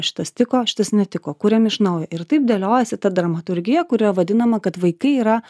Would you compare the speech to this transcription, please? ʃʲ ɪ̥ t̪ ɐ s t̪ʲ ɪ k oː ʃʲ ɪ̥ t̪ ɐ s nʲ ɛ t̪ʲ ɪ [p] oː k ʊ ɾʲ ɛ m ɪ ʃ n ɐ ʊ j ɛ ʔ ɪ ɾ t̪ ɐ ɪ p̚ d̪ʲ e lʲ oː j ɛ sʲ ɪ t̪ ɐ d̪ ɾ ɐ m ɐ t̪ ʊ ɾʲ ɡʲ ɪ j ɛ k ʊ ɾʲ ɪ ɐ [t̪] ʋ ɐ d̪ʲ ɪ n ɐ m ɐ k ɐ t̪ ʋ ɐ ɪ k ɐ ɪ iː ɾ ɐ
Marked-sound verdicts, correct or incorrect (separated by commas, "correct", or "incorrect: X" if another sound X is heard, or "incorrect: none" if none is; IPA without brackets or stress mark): incorrect: k, incorrect: none